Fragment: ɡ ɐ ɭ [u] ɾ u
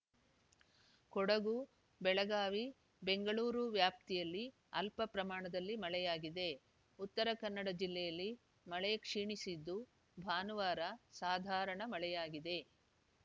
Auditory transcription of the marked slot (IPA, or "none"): uː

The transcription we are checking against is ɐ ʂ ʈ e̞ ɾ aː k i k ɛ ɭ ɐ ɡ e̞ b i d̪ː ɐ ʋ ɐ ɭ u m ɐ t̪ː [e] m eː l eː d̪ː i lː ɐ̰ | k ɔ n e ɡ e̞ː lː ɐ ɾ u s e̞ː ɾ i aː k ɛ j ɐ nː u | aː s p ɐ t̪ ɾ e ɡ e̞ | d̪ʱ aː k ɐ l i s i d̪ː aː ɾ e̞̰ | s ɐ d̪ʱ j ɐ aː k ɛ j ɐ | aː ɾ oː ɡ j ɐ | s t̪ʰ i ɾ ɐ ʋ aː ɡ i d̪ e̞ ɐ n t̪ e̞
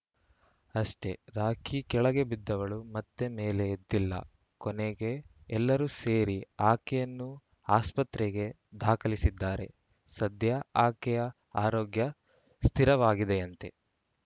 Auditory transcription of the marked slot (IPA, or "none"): e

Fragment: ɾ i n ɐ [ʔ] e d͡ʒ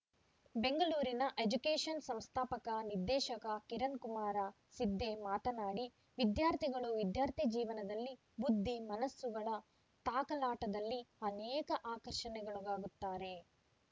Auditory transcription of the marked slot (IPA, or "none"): ʔ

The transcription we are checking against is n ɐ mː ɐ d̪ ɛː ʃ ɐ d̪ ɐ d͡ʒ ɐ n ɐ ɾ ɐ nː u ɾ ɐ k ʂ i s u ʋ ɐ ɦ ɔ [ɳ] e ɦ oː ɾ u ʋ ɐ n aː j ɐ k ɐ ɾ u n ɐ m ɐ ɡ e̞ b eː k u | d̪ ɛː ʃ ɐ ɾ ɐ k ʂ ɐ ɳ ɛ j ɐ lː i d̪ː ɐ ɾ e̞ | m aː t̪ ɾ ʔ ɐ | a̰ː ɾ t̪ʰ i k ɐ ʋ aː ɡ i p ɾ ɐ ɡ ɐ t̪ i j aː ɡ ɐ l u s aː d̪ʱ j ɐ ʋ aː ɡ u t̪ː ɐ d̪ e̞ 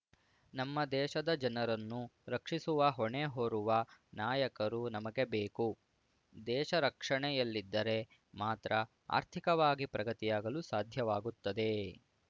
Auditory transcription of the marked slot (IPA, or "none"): ɳ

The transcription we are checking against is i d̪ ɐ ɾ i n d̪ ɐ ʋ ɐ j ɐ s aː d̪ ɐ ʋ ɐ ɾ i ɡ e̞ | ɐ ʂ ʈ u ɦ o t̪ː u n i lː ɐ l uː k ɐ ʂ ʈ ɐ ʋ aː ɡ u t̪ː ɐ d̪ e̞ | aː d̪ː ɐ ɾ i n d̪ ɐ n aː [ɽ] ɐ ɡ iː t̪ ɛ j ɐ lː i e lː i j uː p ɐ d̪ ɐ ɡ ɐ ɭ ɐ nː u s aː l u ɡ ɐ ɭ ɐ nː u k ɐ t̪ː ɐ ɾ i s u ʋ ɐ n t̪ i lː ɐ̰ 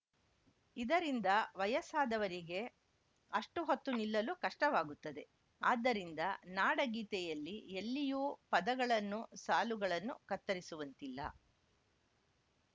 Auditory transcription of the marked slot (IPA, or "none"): ɽ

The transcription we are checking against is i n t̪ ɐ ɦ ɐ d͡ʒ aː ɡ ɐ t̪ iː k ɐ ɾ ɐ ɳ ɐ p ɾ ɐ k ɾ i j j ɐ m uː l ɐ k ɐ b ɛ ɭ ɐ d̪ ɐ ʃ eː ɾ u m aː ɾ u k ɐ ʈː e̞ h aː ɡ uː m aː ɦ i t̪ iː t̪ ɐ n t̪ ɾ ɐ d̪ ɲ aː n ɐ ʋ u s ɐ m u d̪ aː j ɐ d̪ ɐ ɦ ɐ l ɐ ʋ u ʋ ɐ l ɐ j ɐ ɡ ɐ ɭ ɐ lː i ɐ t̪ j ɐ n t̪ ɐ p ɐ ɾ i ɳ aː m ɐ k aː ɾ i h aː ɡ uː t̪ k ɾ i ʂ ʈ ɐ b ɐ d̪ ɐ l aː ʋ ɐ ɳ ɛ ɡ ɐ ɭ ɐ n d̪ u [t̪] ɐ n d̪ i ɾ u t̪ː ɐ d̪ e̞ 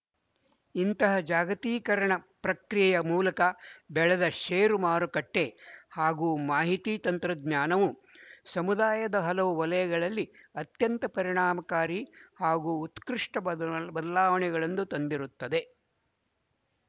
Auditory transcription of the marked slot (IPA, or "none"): t̪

